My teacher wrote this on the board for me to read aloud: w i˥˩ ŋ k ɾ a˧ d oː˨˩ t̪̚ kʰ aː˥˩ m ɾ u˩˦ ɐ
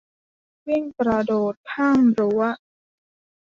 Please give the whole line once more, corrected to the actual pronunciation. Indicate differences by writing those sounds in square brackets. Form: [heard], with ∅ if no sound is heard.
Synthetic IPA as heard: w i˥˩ ŋ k ɾ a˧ d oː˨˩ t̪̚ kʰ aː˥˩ m ɾ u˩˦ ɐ